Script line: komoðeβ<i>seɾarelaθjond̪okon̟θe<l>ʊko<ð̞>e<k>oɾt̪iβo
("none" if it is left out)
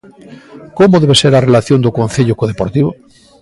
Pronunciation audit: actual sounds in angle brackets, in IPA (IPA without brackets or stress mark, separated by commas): e, ʎ, ð̞, p